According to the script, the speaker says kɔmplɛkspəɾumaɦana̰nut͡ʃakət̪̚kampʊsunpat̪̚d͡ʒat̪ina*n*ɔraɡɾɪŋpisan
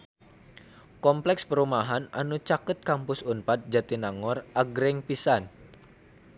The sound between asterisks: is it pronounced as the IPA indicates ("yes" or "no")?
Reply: no